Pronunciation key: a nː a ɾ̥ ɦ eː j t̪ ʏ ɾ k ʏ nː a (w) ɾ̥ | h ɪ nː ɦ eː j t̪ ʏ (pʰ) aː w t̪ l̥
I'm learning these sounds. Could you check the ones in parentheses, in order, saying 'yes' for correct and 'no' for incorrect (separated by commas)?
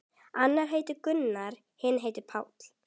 no, yes